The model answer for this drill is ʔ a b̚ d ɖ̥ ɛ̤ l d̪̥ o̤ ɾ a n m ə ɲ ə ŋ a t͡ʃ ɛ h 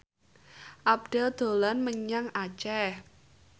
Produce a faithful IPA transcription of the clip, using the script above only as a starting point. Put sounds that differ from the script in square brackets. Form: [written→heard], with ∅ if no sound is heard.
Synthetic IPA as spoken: ʔ a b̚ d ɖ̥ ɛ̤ l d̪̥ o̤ [ɾ→l] a n m ə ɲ [ə→a] ŋ a t͡ʃ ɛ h